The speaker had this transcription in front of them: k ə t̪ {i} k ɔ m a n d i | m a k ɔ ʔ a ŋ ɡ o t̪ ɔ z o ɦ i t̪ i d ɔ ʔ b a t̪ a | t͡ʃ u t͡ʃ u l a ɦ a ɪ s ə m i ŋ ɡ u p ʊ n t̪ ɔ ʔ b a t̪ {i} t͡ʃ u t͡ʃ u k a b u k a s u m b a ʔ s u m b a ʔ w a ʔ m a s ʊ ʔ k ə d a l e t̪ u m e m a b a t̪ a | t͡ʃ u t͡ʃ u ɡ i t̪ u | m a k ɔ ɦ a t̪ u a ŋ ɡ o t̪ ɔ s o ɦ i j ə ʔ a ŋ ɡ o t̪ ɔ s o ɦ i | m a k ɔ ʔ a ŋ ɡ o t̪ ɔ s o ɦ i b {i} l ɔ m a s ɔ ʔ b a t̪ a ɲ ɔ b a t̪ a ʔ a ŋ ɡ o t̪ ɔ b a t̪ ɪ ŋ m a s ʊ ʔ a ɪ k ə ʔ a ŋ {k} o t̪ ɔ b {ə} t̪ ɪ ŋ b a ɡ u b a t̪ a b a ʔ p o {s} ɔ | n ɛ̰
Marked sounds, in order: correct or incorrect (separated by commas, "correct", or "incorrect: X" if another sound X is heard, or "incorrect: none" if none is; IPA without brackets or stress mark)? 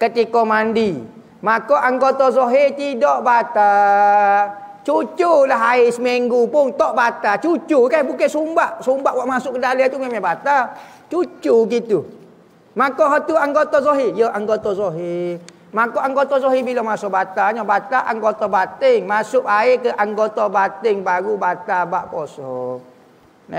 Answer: correct, incorrect: a, correct, incorrect: ɡ, incorrect: a, correct